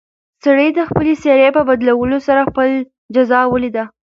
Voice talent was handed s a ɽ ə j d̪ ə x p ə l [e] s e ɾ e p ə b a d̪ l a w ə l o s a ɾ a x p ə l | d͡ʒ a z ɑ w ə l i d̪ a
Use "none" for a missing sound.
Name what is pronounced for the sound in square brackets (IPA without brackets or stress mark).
e